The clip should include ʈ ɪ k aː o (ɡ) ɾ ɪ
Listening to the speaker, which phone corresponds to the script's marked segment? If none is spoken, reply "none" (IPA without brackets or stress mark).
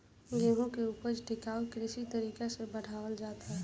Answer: k